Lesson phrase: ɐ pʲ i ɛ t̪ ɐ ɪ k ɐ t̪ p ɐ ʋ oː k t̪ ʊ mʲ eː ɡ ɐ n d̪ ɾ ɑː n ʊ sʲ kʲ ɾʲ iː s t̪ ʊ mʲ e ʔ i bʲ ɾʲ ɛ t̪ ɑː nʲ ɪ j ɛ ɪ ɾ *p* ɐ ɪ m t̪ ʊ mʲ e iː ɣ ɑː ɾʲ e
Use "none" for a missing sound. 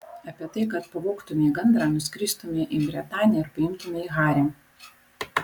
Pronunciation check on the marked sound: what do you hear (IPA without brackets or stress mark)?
p